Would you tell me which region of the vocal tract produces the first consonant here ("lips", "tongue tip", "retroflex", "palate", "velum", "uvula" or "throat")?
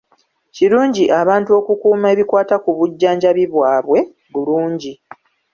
palate